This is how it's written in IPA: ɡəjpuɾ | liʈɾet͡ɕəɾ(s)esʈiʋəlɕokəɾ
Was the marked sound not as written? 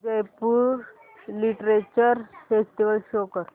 yes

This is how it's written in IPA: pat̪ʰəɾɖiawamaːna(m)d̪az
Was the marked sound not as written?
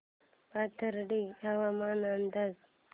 yes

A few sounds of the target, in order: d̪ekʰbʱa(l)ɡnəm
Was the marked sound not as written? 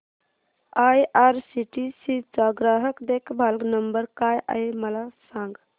no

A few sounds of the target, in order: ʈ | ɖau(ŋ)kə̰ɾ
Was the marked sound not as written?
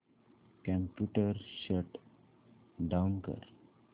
yes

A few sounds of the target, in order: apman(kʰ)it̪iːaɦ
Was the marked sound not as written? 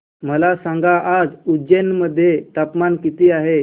yes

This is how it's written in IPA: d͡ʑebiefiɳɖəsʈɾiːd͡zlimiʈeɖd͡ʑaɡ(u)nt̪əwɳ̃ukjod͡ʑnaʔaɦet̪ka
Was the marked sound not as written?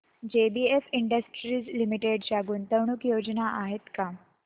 yes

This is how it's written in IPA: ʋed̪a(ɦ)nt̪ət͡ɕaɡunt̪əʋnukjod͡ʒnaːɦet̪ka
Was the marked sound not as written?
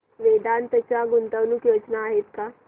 yes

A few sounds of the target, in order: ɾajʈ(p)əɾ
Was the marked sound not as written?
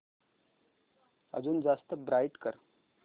yes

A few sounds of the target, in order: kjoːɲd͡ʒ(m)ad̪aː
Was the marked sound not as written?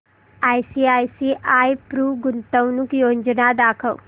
yes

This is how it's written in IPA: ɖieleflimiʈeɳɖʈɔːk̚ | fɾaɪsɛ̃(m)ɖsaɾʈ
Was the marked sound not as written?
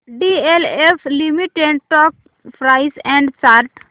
yes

